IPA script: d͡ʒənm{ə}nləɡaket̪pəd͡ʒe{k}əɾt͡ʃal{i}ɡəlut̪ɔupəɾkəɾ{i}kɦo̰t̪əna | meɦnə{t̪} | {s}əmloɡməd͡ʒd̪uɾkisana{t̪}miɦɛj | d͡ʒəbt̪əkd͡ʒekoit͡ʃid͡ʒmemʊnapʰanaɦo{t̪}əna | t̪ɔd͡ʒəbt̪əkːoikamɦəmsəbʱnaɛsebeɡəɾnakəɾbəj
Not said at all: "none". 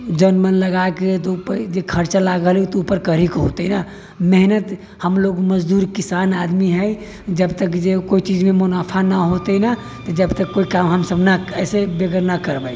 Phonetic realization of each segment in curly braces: ə, kʰ, a, i, t̪, h, d̪, t̪

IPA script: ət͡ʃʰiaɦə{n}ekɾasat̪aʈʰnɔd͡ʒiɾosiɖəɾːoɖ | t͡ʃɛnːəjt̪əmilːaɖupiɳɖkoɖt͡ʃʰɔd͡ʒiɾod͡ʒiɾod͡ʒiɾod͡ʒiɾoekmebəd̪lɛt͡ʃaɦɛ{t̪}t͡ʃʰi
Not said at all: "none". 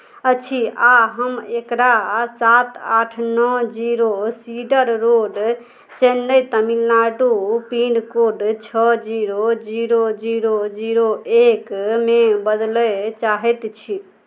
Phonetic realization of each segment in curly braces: m, t̪

